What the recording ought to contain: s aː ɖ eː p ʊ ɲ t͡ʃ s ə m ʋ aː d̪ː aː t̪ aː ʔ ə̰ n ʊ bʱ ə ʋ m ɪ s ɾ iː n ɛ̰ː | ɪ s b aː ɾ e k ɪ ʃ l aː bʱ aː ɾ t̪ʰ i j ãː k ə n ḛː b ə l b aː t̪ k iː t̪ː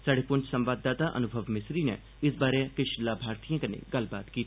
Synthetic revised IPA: s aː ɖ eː p ʊ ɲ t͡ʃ s ə m ʋ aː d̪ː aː t̪ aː ʔ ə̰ n ʊ bʱ ə ʋ m ɪ s ɾ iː n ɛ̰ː | ɪ s b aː ɾ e k ɪ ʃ l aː bʱ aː ɾ t̪ i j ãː k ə n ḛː ɡ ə l b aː t̪ k iː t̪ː